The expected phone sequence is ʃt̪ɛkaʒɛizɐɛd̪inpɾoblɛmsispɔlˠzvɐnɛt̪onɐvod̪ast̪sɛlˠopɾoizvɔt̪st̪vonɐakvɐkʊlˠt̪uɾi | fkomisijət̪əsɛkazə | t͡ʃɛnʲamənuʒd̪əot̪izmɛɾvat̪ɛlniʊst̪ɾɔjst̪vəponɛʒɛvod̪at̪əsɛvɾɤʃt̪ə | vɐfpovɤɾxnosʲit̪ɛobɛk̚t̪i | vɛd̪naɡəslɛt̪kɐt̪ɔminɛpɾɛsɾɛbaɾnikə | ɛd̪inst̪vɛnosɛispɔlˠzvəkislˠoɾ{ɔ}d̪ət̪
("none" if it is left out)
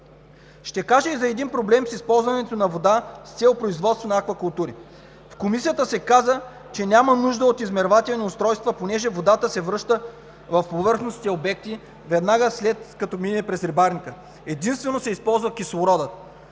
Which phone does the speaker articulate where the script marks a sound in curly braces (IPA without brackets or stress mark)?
ɔ